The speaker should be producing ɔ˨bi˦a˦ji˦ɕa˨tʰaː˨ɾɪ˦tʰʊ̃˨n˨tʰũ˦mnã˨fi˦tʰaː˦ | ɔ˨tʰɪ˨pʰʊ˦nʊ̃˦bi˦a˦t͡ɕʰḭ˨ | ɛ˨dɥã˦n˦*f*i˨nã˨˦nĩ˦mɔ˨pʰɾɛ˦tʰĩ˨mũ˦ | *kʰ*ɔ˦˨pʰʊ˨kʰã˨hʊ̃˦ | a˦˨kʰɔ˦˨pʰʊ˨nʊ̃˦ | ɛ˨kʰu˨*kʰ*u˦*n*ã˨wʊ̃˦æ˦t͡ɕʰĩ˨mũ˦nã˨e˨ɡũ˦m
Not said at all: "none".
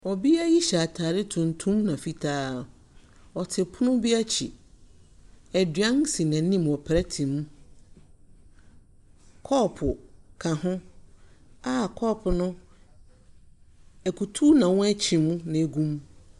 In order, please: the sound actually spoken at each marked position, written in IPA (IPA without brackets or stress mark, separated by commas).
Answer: s, kʰ, tʰ, n